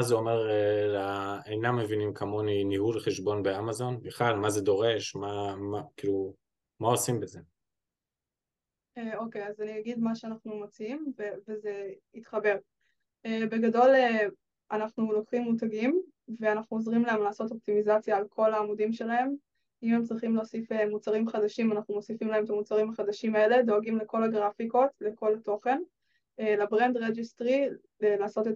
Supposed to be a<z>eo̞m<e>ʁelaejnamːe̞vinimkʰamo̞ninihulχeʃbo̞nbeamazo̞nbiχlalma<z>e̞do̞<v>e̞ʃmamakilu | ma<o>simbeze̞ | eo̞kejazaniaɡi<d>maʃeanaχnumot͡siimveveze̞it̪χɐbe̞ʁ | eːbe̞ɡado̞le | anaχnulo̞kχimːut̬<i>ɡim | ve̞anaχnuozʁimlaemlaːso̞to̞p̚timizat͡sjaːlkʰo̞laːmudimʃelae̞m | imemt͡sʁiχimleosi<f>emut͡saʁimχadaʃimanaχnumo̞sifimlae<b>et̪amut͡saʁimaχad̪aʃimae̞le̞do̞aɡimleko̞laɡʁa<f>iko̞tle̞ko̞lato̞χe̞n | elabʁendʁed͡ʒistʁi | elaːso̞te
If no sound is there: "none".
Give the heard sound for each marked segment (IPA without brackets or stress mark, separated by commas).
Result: z, e, z, ʁ, o, d, a, f, m, f